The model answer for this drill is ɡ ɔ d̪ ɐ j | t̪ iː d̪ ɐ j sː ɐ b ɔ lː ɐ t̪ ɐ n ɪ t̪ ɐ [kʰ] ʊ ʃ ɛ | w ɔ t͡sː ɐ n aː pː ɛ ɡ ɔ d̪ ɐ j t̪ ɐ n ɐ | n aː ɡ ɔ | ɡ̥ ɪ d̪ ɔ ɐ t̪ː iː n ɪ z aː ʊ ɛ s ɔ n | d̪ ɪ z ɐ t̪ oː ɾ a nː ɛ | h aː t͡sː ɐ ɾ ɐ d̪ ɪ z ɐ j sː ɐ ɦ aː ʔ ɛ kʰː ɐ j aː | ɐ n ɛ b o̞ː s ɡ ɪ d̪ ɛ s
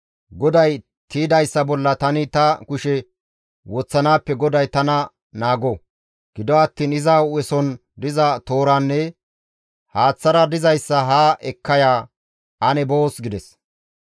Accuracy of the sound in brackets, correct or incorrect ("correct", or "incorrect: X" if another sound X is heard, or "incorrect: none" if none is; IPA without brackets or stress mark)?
incorrect: k